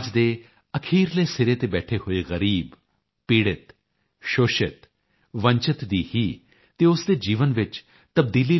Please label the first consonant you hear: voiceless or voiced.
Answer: voiced